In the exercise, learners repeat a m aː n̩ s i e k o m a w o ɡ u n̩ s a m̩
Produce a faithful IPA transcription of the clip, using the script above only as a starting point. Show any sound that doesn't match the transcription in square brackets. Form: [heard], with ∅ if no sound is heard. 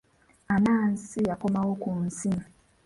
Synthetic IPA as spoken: a [n] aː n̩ s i [a] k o m a w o [k] u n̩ s [i] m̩